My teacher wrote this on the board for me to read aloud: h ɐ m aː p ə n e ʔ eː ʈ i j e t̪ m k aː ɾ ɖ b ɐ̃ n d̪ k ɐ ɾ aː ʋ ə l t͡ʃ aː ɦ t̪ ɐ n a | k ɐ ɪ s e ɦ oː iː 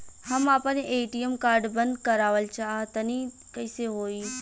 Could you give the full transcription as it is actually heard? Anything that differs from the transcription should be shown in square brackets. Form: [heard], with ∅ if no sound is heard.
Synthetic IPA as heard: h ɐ m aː p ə n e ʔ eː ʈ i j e [∅] m k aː ɾ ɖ b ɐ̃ n d̪ k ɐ ɾ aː ʋ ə l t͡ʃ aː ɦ t̪ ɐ n [i] | k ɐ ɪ s e ɦ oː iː